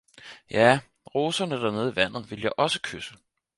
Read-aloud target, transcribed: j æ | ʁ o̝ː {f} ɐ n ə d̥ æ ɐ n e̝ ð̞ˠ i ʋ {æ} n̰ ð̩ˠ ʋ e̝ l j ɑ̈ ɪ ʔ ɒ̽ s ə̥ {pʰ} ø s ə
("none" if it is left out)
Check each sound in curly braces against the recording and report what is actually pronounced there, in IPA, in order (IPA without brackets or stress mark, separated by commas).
s, æ, kʰ